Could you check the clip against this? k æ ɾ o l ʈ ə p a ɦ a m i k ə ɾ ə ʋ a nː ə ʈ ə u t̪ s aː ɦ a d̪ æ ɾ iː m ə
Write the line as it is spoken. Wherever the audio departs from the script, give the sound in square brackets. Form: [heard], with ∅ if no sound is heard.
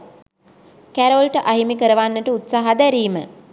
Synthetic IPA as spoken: k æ ɾ o l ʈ ə [ʔ] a ɦ [i] m i k ə ɾ ə ʋ a nː ə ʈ ə u t̪ s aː ɦ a d̪ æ ɾ iː m ə

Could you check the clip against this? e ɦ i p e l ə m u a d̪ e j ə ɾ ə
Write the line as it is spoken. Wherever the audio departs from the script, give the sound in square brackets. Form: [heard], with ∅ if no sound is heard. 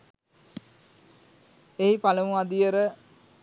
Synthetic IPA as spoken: e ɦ i p [a] l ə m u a d̪ [i] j ə ɾ ə

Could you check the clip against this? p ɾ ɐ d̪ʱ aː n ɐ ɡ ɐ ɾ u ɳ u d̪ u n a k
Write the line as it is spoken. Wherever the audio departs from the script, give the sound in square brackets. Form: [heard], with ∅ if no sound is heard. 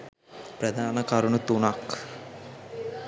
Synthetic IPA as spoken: p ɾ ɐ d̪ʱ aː n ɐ [k] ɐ ɾ u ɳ u [t̪] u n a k

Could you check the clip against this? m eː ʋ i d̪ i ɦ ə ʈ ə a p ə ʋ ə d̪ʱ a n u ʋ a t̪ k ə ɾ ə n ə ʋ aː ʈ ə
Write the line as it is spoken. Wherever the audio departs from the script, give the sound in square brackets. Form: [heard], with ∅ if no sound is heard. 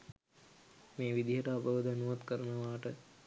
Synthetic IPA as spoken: m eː ʋ i d̪ i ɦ ə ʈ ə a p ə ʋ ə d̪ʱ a n u ʋ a t̪ k ə ɾ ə n ə ʋ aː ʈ ə

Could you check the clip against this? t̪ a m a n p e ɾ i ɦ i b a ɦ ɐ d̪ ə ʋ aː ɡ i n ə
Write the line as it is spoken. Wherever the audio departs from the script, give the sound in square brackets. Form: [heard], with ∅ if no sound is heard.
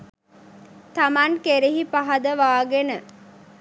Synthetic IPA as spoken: t̪ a m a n [k] e ɾ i ɦ i [p] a ɦ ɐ d̪ ə ʋ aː ɡ [e] n ə

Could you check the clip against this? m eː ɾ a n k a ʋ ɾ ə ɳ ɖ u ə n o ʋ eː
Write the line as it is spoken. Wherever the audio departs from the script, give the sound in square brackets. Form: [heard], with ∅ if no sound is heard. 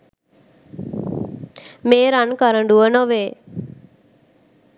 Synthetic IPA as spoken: m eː ɾ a n k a [∅] ɾ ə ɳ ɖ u ə n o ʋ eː

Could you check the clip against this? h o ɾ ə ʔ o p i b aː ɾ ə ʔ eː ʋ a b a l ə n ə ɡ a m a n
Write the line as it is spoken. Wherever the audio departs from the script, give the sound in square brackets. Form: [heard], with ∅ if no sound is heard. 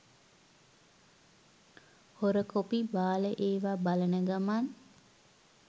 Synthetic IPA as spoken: h o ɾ ə [k] o p i b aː [l] ə ʔ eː ʋ a b a l ə n ə ɡ a m a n

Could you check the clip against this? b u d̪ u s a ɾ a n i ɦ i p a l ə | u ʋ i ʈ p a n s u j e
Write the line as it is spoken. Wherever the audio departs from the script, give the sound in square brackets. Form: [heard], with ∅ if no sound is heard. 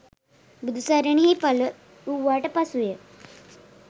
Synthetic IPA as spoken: b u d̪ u s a ɾ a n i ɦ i p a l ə | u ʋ [a] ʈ p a [∅] s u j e

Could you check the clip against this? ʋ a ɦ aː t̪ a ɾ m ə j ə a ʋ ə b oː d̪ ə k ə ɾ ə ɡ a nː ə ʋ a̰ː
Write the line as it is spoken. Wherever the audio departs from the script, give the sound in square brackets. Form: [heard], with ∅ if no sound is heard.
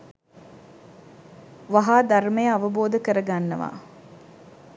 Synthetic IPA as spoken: ʋ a ɦ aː [d̪] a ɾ m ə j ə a ʋ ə b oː d̪ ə k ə ɾ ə ɡ a nː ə ʋ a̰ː

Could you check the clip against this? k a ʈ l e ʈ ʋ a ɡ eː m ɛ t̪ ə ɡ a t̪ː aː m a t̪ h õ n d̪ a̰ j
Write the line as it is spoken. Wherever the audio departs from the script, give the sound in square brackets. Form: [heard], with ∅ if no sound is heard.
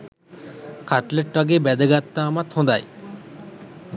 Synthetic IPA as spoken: k a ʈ l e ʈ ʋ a ɡ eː [b] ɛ [d̪] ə ɡ a t̪ː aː m a t̪ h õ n d̪ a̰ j

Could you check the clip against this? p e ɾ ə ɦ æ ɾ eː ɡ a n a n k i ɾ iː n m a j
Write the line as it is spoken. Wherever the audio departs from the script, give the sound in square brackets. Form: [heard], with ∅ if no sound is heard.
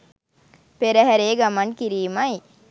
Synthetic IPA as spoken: p e ɾ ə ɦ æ ɾ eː ɡ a [m] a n k i ɾ iː [∅] m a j

